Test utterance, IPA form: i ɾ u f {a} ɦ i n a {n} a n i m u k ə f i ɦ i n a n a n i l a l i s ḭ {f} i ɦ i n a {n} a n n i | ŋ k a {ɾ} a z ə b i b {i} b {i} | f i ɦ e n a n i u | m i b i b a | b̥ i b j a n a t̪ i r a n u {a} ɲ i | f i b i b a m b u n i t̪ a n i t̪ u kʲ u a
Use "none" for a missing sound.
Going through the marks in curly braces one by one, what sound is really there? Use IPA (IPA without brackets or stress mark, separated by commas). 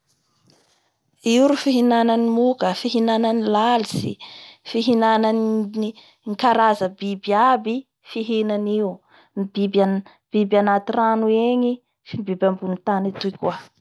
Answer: i, n, f, n, ɾ, a, i, e